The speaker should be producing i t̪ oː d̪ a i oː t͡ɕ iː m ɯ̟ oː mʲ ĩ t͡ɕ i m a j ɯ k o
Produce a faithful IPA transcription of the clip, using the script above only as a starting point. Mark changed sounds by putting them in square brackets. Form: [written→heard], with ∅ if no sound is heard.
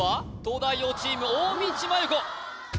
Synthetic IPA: [i→a] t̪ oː d̪ a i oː t͡ɕ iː m ɯ̟ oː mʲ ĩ t͡ɕ i m a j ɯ k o

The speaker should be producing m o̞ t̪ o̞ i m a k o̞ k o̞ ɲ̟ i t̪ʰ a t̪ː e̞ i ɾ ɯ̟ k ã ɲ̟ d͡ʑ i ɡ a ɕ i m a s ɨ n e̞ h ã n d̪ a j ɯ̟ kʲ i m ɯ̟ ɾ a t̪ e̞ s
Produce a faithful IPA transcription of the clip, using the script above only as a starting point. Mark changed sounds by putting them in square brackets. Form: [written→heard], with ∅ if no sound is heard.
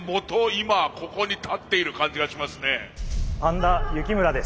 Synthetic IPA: m o̞ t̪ o̞ i m a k o̞ k o̞ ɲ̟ i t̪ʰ a t̪ː e̞ i ɾ ɯ̟ k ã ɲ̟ d͡ʑ i ɡ a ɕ i m a s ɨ n e̞ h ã n d̪ a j ɯ̟ kʲ i m ɯ̟ ɾ a [t̪→d̪] e̞ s

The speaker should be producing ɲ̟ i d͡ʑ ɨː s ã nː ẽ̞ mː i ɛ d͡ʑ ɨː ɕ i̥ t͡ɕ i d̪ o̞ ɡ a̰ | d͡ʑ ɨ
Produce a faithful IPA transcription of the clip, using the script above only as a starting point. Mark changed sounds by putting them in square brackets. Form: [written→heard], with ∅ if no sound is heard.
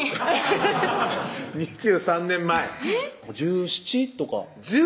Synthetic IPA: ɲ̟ i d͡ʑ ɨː s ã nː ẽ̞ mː [i→a] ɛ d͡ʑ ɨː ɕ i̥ t͡ɕ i [d̪→t̪] o̞ [ɡ→k] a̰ | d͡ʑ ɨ

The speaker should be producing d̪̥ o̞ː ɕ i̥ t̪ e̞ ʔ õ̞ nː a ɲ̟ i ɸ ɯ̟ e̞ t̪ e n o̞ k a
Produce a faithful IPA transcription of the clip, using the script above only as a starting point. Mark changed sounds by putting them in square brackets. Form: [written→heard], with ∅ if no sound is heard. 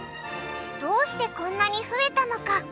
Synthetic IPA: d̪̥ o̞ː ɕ i̥ t̪ e̞ [ʔ→k] õ̞ nː a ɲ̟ i ɸ ɯ̟ e̞ t̪ [e→a] n o̞ k a

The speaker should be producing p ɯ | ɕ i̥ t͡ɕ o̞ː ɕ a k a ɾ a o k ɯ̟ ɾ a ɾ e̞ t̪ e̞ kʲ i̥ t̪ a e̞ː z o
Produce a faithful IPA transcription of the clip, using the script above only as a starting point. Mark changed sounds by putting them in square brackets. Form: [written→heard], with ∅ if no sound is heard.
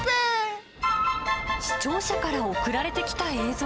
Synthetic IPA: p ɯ | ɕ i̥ t͡ɕ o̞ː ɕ a k a ɾ a o k ɯ̟ ɾ a ɾ e̞ t̪ e̞ kʲ i̥ t̪ a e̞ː z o

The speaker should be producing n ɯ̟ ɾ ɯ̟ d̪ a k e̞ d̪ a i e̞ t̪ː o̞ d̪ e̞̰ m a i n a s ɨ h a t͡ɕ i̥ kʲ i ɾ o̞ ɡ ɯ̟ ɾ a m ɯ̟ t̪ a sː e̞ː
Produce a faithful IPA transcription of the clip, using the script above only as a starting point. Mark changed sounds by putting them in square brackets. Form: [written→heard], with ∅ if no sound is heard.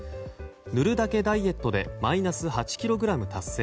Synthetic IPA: n ɯ̟ ɾ ɯ̟ d̪ a k e̞ d̪ a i e̞ t̪ː o̞ d̪ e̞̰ m a i n a s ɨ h a t͡ɕ i̥ kʲ i ɾ o̞ ɡ ɯ̟ ɾ a m ɯ̟ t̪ a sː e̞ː

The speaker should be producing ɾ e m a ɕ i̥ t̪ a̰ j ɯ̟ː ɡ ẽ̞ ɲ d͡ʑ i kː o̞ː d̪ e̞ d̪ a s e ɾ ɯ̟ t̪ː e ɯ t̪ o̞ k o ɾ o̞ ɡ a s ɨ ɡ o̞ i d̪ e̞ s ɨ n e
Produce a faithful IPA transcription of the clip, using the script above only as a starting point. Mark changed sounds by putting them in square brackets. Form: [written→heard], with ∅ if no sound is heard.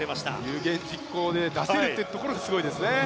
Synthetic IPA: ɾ e m a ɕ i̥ t̪ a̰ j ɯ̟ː ɡ ẽ̞ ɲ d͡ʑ i kː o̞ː d̪ e̞ d̪ a s e ɾ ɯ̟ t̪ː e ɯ t̪ o̞ k o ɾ o̞ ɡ a s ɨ ɡ o̞ i d̪ e̞ s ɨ n e

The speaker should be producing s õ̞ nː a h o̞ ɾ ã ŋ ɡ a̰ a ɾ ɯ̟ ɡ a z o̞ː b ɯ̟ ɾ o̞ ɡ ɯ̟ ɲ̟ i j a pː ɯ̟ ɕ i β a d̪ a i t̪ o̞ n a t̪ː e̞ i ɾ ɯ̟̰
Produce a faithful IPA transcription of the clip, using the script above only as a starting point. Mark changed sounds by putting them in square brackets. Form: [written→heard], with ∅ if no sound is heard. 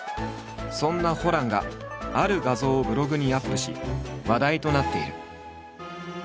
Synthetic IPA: s õ̞ nː a h o̞ ɾ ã ŋ ɡ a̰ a ɾ ɯ̟ ɡ a z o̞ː b ɯ̟ ɾ o̞ ɡ ɯ̟ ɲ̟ i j a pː ɯ̟ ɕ i β a d̪ a i t̪ o̞ n a t̪ː e̞ i ɾ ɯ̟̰

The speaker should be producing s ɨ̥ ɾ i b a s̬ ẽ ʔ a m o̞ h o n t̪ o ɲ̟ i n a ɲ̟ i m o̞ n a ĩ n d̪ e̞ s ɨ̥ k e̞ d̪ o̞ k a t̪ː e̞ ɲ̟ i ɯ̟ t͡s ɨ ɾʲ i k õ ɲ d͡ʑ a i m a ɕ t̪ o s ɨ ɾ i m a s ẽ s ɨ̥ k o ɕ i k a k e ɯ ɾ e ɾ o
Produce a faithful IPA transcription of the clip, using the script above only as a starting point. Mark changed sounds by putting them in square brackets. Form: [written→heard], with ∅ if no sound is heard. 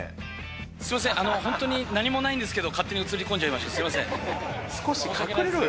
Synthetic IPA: s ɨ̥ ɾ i [b→m] a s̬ ẽ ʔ a [m→n] o̞ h [o→õ] n t̪ o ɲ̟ i n a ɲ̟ i m o̞ n a ĩ n d̪ e̞ s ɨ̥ k e̞ d̪ o̞ k a t̪ː e̞ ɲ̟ i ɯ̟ t͡s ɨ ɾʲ i k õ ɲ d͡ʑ a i m a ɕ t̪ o s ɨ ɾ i m a s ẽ s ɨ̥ k o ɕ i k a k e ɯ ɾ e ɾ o

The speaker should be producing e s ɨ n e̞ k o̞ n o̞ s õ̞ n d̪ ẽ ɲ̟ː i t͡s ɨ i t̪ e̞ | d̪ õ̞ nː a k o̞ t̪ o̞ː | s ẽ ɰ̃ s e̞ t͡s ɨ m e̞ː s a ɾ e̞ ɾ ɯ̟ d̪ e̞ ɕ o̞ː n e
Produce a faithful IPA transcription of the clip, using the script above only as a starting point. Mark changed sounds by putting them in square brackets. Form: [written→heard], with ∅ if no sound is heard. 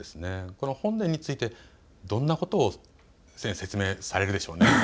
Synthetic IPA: e s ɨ n e̞ k o̞ n o̞ [s→h] õ̞ n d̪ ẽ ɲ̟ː i t͡s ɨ i t̪ e̞ | d̪ õ̞ nː a k o̞ t̪ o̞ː | s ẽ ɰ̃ s e̞ t͡s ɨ m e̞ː s a ɾ e̞ ɾ ɯ̟ d̪ e̞ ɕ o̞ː n e

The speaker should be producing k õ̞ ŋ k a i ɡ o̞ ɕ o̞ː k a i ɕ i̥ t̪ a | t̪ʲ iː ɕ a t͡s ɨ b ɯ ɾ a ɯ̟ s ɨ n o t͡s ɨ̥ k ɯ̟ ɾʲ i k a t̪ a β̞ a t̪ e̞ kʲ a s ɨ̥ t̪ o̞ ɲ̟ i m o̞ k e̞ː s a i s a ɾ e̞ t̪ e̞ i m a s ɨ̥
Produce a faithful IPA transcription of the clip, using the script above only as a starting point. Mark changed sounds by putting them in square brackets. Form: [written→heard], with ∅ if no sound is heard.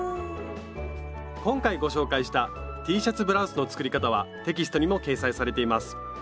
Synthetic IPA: k õ̞ ŋ k a i ɡ o̞ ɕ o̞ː k a i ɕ i̥ t̪ a | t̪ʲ iː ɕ a t͡s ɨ b ɯ ɾ a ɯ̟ s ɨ n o t͡s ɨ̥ k ɯ̟ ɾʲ i k a t̪ a β̞ a t̪ e̞ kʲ [a→i] s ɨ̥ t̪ o̞ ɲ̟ i m o̞ k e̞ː s a i s a ɾ e̞ t̪ e̞ i m a s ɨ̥

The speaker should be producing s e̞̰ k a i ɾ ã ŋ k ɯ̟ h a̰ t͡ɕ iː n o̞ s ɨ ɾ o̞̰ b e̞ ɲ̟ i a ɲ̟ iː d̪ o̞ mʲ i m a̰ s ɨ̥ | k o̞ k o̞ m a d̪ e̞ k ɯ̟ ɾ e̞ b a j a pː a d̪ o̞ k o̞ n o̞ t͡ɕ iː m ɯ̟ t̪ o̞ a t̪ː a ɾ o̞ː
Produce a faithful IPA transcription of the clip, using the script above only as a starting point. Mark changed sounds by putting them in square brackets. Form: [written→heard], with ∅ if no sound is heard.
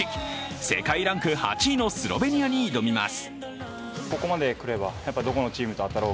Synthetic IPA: s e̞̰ k a i ɾ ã ŋ k ɯ̟ h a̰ t͡ɕ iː n o̞ s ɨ ɾ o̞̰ b e̞ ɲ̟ i a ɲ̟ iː d̪ o̞ mʲ i m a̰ s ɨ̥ | k o̞ k o̞ m a d̪ e̞ k ɯ̟ ɾ e̞ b a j a pː a d̪ o̞ k o̞ n o̞ t͡ɕ iː m ɯ̟ t̪ o̞ a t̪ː a ɾ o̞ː

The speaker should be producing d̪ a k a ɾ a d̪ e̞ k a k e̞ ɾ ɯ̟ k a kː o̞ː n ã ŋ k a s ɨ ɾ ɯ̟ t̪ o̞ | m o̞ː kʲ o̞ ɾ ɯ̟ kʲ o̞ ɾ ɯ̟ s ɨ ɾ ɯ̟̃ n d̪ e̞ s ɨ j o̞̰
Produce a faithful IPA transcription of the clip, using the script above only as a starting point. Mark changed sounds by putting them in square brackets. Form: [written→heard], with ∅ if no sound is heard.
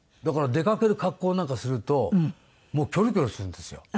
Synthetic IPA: d̪ a k a ɾ a d̪ e̞ k a k e̞ ɾ ɯ̟ k a kː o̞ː n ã ŋ k a s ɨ ɾ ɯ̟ t̪ o̞ | m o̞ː kʲ o̞ ɾ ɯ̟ kʲ o̞ ɾ ɯ̟ s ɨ ɾ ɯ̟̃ n d̪ e̞ s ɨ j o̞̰

